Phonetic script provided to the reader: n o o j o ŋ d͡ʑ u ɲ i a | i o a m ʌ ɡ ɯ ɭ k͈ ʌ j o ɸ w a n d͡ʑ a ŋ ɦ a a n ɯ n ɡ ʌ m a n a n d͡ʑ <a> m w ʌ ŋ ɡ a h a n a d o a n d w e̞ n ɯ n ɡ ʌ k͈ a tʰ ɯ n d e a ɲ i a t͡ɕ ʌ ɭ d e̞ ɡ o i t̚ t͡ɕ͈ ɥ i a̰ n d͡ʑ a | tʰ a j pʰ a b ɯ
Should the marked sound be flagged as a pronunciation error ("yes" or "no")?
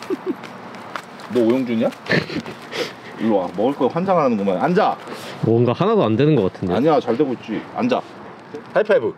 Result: no